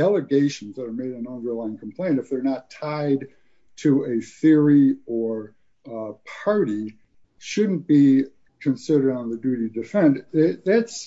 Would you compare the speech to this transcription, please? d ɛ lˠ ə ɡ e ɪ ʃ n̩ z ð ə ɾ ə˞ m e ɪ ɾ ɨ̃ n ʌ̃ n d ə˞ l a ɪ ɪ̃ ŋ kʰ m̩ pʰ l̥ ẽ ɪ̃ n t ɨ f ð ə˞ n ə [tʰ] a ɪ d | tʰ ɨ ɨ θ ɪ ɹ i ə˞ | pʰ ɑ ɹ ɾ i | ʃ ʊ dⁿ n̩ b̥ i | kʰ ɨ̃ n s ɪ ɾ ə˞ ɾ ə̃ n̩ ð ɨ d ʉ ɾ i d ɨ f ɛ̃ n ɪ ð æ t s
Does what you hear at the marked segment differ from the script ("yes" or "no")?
no